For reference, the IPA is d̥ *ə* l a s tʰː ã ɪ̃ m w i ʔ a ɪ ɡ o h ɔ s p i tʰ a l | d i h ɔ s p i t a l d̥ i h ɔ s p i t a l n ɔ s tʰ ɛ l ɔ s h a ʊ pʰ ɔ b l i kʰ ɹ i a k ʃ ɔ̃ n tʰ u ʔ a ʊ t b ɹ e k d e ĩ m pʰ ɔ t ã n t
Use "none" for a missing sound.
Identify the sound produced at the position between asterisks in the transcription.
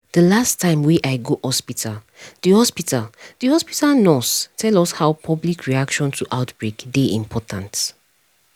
ə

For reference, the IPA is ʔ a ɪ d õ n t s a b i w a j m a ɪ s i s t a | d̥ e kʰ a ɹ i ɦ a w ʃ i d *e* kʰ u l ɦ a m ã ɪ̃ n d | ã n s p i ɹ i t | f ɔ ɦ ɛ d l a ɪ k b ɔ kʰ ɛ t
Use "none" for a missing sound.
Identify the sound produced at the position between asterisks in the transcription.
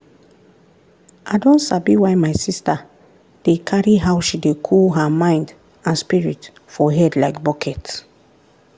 e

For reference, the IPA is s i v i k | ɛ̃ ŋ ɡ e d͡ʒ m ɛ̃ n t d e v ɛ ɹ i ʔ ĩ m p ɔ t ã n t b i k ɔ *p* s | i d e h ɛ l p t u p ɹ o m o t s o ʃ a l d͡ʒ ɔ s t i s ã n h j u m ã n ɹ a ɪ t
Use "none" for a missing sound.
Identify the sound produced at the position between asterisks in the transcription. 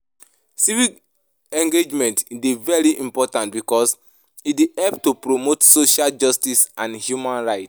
none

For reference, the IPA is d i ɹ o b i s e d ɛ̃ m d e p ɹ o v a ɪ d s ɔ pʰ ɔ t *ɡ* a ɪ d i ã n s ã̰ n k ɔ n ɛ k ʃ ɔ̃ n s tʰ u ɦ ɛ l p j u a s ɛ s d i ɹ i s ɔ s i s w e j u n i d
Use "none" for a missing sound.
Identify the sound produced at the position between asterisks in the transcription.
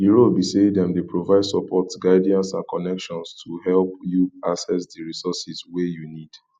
ɡ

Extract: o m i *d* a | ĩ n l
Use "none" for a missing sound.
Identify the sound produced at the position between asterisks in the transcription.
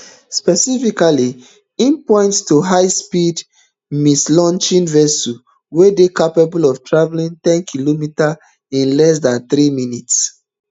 t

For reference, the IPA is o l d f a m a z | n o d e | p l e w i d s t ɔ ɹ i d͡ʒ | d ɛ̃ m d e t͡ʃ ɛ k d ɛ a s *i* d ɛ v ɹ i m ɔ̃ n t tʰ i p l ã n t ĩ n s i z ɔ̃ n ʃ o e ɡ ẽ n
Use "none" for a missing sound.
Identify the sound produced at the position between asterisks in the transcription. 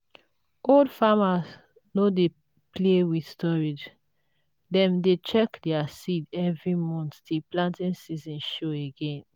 i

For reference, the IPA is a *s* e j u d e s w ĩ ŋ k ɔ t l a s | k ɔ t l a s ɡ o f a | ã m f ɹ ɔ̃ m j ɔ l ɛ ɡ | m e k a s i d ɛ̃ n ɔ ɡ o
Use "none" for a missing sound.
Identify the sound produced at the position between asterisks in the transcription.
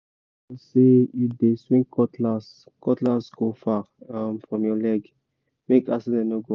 s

